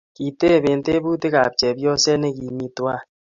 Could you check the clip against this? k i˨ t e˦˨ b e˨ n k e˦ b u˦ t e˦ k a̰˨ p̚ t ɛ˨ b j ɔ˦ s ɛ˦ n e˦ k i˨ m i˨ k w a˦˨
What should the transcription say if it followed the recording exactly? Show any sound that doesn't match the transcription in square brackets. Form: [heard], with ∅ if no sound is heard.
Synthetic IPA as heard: k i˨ t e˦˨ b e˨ n [t] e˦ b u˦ t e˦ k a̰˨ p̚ [t͡ʃ] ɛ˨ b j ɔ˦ s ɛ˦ n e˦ k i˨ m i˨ [t] w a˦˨